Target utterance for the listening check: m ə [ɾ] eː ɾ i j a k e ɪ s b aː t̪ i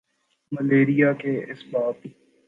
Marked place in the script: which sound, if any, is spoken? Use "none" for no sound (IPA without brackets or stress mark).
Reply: l